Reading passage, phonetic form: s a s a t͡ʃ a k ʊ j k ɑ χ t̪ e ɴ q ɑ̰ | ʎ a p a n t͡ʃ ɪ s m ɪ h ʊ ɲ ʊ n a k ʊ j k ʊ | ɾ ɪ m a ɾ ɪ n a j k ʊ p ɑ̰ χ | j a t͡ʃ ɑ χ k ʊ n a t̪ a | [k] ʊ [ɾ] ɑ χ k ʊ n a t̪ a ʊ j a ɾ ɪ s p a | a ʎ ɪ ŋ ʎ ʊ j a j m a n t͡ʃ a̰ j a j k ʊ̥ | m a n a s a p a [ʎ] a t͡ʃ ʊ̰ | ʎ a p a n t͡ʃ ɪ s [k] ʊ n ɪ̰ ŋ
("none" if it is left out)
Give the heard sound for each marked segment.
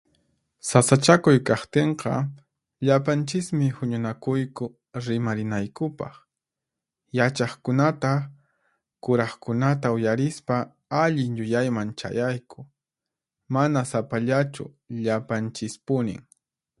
k, ɾ, ʎ, p

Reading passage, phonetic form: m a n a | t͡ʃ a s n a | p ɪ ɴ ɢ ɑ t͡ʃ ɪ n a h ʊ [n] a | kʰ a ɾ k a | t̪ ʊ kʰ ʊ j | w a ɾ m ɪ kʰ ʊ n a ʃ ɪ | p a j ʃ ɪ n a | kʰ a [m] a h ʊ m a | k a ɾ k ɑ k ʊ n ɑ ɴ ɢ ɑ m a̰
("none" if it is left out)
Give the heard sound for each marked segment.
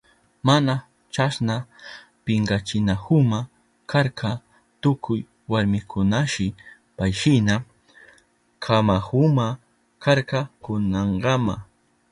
m, m

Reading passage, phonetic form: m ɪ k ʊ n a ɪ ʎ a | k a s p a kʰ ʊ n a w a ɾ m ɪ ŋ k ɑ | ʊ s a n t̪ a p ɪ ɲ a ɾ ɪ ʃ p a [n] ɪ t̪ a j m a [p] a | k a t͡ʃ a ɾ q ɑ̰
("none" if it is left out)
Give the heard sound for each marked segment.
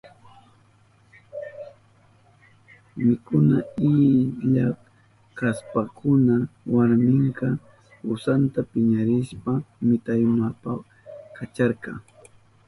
m, p

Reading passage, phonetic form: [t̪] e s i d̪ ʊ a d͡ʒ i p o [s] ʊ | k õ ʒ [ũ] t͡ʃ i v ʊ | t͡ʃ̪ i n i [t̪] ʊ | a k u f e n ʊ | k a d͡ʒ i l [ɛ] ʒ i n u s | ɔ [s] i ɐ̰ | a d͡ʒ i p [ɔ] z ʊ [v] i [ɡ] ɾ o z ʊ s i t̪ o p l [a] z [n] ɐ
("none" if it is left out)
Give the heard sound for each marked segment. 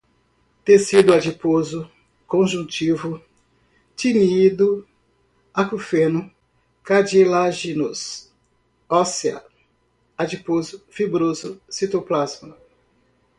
t̪, z, ũ, d̪, a, s, o, f, b, a, m

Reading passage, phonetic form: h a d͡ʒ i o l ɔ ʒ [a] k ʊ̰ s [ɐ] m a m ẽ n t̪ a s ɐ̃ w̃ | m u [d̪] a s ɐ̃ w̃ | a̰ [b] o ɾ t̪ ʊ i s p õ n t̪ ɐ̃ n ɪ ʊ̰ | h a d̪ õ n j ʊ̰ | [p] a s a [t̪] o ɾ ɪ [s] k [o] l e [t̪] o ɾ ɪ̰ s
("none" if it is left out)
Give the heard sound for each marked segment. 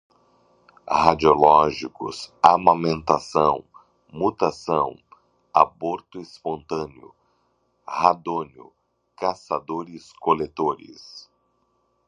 i, a, t̪, b, k, d̪, s, o, t̪

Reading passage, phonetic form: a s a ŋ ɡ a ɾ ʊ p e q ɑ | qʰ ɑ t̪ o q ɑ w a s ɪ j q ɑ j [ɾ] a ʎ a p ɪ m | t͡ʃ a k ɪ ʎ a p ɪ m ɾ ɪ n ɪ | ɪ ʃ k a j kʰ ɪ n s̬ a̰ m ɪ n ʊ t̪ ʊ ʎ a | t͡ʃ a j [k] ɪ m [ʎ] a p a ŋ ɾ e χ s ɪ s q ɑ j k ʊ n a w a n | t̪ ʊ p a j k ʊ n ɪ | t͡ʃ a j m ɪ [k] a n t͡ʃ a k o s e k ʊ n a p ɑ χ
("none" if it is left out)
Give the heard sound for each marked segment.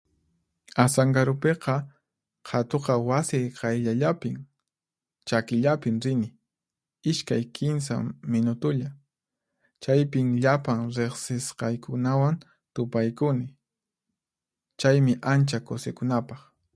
ʎ, p, ʎ, ʔ

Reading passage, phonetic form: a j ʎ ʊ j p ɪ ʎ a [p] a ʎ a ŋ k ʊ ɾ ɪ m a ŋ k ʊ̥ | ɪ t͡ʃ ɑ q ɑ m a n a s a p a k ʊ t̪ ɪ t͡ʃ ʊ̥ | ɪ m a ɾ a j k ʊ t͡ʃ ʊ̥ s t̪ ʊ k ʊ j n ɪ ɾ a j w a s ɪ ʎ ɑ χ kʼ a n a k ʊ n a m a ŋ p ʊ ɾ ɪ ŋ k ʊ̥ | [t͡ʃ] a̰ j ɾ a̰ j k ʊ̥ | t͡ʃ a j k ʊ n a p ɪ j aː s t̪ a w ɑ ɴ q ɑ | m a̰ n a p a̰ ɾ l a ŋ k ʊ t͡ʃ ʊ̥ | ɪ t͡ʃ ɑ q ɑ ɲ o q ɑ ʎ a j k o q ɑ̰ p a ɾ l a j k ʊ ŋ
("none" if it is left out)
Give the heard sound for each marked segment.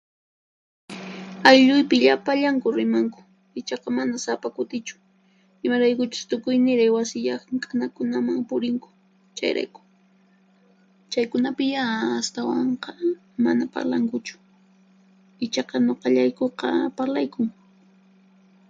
p, t͡ʃ

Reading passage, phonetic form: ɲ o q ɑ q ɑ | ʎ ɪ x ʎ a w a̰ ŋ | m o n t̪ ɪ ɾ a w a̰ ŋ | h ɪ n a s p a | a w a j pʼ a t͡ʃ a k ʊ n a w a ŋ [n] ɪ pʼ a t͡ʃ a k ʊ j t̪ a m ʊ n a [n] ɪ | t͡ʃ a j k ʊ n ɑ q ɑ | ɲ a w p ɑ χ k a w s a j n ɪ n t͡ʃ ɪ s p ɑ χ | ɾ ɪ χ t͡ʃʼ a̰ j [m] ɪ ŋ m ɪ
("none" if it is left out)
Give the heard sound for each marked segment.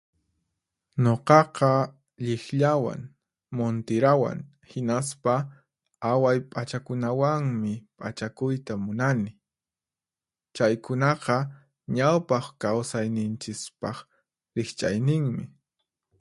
m, n, n

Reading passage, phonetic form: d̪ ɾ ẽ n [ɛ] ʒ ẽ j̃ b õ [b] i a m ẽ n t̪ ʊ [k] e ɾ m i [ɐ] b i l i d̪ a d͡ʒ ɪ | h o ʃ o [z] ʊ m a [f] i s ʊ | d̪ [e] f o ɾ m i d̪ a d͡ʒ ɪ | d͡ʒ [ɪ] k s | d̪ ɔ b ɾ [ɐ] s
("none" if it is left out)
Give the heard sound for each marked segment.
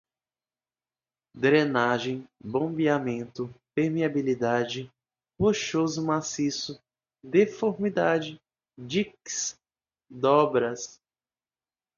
a, b, p, a, z, s, e, i, ɐ

